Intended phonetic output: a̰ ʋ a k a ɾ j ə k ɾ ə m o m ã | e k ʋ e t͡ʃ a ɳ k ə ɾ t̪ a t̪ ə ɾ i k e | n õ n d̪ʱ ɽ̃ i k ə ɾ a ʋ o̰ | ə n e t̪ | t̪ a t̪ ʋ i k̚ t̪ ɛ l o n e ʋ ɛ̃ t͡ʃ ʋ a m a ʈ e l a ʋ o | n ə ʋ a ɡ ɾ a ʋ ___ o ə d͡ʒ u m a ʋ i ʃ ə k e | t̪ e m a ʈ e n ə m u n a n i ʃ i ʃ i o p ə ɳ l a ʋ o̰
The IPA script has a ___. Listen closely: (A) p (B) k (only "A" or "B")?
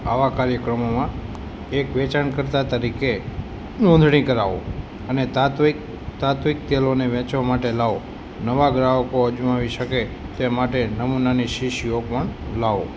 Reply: B